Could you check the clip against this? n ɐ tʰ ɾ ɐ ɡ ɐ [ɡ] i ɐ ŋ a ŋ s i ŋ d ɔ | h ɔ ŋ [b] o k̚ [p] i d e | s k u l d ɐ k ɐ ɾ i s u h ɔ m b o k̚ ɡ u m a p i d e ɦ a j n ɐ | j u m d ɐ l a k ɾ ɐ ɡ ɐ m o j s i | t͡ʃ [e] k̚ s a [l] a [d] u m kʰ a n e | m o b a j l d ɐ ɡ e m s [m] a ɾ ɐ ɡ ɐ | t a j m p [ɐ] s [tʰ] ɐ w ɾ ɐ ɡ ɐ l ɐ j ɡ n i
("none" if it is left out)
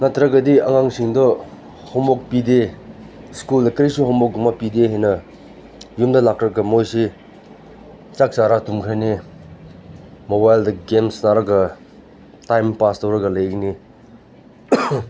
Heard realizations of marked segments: d, b, p, a, ɾ, t, n, a, t

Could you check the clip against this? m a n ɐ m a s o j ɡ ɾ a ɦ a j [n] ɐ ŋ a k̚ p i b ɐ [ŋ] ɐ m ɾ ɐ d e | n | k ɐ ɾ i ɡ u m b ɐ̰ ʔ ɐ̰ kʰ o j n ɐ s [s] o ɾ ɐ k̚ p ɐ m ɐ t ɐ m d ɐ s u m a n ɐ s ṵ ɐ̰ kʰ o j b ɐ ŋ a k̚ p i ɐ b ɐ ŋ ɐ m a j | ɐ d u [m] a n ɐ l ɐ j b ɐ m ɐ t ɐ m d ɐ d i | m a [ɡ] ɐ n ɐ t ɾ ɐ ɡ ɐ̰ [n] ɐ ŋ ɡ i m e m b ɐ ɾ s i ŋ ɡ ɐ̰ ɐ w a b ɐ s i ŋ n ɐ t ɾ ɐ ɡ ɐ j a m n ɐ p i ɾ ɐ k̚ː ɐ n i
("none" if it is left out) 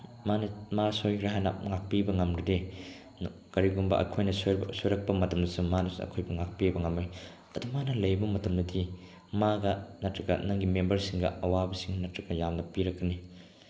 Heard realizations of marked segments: n, ŋ, s, m, ɡ, n

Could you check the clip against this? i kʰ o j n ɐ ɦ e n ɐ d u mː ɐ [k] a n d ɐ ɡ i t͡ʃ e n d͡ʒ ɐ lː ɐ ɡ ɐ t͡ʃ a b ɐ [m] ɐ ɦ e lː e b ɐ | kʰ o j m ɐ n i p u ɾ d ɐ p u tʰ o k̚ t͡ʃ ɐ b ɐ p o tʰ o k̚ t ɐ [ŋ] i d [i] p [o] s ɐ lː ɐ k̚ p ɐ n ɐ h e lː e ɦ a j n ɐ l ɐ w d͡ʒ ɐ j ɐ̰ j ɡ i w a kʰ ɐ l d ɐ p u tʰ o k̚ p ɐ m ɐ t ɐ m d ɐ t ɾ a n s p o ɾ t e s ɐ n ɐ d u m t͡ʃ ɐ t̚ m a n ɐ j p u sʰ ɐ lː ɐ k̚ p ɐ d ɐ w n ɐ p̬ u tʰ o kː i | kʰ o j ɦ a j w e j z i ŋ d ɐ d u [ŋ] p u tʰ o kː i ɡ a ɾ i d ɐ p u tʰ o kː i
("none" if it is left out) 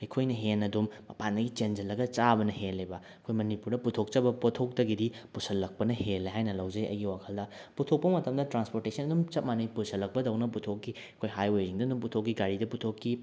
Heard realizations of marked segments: p, n, ɡ, i, u, m

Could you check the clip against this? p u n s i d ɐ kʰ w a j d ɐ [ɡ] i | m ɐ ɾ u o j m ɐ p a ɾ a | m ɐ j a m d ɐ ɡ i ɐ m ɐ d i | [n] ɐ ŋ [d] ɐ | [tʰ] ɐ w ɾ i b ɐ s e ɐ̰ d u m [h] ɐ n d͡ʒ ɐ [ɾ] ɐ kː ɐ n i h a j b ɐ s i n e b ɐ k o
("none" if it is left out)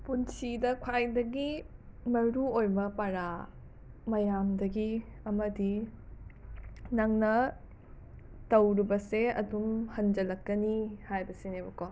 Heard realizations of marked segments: ɡ, n, n, t, h, l

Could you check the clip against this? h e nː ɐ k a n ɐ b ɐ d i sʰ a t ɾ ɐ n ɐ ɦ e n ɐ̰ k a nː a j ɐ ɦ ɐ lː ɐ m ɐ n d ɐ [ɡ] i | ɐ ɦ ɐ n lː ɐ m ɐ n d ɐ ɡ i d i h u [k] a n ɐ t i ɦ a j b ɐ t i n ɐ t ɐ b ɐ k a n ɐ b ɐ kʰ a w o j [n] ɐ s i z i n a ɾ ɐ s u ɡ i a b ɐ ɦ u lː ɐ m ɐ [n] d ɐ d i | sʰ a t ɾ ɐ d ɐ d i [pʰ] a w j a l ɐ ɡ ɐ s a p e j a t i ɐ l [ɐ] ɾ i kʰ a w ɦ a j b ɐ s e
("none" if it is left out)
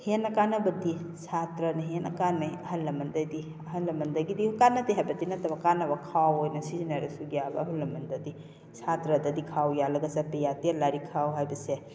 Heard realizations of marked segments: d, k, n, n, kʰ, a

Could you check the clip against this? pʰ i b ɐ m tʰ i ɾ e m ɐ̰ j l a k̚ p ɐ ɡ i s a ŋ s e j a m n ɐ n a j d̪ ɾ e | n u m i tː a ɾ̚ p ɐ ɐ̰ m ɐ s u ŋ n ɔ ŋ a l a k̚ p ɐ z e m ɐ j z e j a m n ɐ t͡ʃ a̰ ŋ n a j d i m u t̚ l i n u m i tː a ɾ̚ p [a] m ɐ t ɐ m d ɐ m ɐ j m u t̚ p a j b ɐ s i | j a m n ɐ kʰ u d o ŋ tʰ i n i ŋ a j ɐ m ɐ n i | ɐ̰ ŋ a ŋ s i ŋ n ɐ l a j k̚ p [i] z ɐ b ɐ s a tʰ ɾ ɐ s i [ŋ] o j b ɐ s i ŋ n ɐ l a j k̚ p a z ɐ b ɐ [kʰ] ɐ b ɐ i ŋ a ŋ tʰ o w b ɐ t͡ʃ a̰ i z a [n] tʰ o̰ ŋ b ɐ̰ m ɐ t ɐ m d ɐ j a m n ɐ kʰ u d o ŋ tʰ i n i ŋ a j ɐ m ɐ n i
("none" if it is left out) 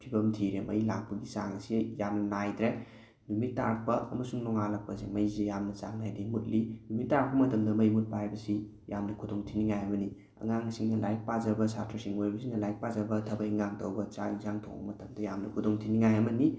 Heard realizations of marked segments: ɐ, a, ŋ, tʰ, ŋ

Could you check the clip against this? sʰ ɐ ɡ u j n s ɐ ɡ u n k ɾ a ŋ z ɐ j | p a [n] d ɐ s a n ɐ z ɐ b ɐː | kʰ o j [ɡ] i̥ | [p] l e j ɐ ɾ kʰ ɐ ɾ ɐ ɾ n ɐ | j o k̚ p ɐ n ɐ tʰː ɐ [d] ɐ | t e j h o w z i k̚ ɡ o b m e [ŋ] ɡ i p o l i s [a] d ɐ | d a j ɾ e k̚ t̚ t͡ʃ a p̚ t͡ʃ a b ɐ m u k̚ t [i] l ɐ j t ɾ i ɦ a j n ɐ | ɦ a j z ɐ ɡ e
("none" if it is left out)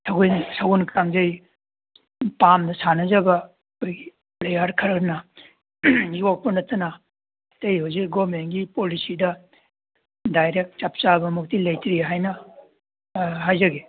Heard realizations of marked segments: m, ɡ, p, n, n, i, i

